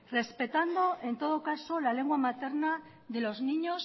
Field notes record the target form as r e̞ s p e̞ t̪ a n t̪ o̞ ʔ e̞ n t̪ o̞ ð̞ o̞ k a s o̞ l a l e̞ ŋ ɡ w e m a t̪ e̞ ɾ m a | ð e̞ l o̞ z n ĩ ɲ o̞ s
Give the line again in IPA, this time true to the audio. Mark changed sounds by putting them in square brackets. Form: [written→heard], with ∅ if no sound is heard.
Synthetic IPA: r e̞ s p e̞ t̪ a n [t̪→d̪] o̞ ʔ e̞ n t̪ o̞ ð̞ o̞ k a s o̞ l a l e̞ ŋ ɡ w [e→a] m a t̪ e̞ ɾ [m→n] a | ð e̞ l o̞ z n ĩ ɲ o̞ s